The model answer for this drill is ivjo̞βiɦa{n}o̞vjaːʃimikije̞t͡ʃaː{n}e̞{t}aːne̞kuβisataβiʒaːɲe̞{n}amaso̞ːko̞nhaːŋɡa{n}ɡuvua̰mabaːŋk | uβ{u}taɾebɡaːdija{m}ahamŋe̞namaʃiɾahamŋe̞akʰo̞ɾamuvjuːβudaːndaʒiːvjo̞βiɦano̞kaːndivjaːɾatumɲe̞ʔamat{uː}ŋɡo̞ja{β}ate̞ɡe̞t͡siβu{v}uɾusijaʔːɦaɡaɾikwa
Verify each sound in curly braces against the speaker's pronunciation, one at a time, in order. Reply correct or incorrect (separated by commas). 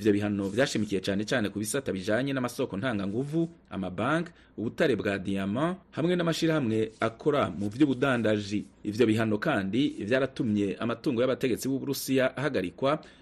correct, correct, incorrect, correct, incorrect, correct, correct, correct, correct, incorrect